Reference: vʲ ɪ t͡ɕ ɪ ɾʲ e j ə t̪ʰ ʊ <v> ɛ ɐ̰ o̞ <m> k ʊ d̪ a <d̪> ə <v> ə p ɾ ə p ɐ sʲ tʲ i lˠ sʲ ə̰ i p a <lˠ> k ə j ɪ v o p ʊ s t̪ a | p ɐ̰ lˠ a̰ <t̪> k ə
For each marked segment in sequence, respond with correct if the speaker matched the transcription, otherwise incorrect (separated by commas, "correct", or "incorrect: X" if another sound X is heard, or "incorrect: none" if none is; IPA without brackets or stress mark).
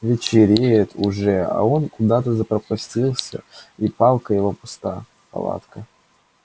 incorrect: ʐ, incorrect: n, incorrect: t̪, incorrect: z, correct, correct